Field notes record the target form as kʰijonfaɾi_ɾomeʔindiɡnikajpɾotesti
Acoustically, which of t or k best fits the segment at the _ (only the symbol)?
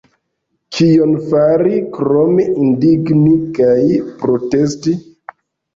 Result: k